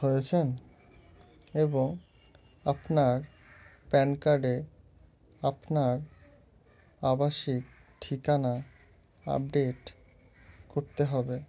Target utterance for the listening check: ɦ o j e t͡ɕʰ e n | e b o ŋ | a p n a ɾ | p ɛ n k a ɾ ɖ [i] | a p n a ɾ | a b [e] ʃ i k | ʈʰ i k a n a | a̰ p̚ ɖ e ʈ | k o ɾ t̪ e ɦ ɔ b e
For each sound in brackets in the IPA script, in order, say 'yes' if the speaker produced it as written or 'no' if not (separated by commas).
no, no